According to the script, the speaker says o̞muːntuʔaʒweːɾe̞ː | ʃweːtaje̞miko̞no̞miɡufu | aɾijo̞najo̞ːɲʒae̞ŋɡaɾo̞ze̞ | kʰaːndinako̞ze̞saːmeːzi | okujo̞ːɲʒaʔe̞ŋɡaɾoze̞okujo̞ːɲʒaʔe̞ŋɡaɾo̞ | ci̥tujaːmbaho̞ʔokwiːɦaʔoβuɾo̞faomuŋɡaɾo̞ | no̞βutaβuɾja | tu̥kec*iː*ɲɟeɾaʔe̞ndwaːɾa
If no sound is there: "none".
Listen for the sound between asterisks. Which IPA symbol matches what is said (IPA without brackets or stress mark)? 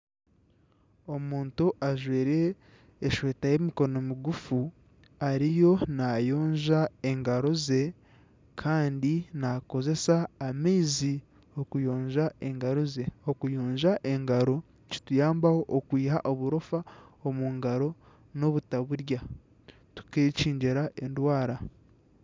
iː